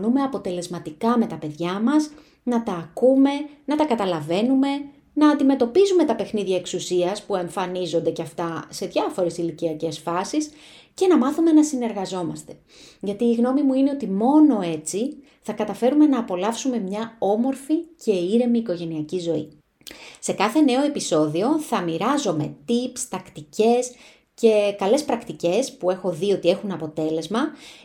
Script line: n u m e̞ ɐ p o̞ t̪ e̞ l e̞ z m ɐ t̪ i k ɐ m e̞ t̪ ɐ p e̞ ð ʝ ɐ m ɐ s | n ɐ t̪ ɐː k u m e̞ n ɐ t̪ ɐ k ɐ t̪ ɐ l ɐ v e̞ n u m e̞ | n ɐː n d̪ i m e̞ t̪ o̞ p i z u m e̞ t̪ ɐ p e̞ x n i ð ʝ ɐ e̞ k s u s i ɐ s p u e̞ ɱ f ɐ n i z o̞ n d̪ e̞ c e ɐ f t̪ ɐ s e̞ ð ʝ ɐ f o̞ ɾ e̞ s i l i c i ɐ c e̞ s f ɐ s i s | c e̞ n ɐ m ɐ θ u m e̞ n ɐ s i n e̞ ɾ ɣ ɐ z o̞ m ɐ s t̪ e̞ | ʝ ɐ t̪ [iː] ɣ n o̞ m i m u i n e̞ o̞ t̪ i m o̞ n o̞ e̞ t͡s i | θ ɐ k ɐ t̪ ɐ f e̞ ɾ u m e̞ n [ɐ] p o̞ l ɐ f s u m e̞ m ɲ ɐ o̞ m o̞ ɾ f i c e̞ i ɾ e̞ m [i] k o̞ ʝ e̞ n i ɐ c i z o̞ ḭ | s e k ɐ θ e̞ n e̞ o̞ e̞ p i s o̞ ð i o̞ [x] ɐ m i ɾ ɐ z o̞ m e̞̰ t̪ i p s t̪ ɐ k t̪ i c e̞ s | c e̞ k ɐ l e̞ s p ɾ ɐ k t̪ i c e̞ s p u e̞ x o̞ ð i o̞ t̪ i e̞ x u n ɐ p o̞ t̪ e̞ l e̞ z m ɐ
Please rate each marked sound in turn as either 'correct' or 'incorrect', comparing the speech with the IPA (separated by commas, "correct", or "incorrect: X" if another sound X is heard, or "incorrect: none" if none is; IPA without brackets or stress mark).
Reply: correct, incorrect: ɐː, incorrect: iː, incorrect: θ